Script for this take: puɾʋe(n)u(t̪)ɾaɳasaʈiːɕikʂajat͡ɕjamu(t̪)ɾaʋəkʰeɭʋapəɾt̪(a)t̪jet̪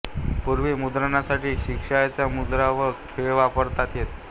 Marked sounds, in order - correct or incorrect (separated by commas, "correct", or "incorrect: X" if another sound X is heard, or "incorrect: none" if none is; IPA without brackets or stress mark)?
incorrect: m, incorrect: d̪, incorrect: d̪, correct